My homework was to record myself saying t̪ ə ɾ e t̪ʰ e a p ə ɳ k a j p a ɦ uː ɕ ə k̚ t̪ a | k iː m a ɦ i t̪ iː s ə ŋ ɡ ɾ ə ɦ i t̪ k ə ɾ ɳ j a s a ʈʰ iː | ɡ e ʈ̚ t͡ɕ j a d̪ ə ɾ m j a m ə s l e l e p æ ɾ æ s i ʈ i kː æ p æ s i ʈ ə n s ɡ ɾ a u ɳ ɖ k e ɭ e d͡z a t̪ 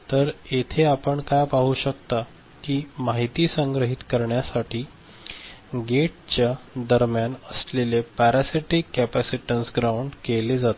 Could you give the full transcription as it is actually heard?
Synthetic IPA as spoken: t̪ ə ɾ e t̪ʰ e a p ə ɳ k a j p a ɦ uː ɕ ə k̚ t̪ a | k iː m a ɦ i t̪ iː s ə ŋ ɡ ɾ ə ɦ i t̪ k ə ɾ ɳ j a s a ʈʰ iː | ɡ e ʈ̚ t͡ɕ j a d̪ ə ɾ m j a n ə s l e l e p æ ɾ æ s i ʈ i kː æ p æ s i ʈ ə n s ɡ ɾ a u ɳ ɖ k e l e d͡z a t̪